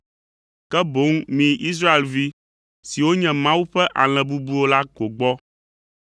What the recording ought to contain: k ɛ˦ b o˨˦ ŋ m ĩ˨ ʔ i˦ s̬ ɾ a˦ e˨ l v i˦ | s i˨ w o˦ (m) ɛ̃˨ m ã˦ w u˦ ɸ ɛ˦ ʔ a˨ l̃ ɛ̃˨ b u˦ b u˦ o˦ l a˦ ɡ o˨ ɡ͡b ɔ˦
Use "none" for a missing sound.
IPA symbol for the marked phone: ɲ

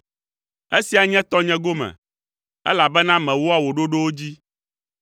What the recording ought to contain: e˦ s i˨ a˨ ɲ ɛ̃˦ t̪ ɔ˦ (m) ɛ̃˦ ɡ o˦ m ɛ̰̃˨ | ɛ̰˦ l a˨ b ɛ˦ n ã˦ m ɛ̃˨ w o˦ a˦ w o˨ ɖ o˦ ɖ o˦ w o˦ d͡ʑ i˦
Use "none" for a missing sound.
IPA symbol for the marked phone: ɲ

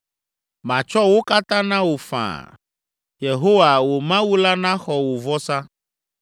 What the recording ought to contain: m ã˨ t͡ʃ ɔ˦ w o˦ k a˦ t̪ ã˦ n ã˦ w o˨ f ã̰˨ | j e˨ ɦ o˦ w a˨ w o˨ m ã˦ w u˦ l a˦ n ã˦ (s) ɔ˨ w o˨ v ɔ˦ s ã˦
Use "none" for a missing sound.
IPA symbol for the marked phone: x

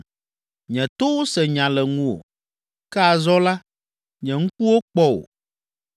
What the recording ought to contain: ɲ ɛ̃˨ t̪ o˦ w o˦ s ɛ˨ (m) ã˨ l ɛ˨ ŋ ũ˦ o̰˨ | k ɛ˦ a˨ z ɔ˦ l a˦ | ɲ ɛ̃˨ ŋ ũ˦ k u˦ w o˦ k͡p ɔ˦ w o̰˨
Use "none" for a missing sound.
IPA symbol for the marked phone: ɲ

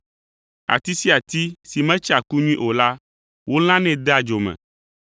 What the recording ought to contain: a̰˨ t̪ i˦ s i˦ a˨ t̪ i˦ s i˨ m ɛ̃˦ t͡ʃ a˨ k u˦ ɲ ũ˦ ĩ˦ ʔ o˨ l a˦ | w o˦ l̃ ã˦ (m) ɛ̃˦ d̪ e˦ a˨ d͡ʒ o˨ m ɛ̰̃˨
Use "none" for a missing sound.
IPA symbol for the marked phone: n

